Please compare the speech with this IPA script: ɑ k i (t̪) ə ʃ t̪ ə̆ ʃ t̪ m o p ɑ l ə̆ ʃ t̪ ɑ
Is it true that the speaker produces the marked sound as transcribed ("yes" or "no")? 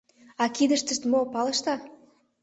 no